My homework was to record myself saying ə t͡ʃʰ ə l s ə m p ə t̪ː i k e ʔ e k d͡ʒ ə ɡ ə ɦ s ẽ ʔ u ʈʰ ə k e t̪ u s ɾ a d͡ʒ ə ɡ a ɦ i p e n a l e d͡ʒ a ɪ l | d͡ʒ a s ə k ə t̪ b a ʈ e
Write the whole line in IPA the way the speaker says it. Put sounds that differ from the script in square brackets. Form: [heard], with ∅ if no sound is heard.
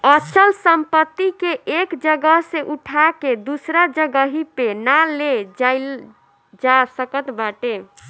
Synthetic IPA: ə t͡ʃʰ ə l s ə m p ə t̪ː i k e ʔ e k d͡ʒ ə ɡ ə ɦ s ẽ ʔ u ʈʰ [a] k e [d̪] u s ɾ a d͡ʒ ə ɡ [ə] ɦ i p e n a l e d͡ʒ a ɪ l | d͡ʒ a s ə k ə t̪ b a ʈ e